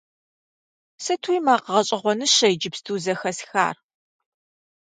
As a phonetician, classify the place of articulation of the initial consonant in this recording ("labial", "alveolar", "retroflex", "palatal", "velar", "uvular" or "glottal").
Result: alveolar